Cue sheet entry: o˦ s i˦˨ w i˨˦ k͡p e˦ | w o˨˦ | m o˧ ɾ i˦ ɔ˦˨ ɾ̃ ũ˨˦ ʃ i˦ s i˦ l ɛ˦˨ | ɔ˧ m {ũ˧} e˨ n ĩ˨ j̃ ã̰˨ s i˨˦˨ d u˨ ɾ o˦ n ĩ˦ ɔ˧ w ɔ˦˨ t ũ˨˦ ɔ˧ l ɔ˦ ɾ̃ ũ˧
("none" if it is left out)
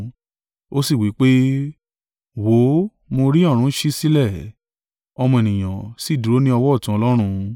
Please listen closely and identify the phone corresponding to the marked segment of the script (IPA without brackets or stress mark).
ɔ̃˧